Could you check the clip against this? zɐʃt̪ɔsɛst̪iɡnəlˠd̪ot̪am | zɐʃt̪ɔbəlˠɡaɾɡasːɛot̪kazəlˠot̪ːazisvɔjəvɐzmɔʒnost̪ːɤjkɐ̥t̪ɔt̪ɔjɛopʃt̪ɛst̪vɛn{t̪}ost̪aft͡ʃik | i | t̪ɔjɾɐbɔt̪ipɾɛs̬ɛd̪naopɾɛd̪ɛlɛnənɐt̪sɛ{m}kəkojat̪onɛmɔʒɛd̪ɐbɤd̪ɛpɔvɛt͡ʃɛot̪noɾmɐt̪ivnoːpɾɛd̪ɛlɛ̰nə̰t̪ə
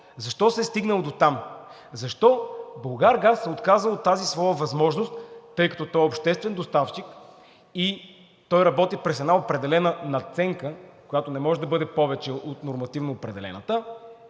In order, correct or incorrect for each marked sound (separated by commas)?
incorrect, incorrect